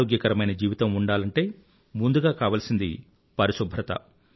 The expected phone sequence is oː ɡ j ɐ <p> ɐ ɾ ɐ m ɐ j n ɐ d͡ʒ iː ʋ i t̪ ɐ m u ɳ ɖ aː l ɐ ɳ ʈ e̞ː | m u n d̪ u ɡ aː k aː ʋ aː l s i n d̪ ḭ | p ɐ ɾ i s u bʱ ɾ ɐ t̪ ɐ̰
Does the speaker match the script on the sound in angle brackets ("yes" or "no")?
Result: no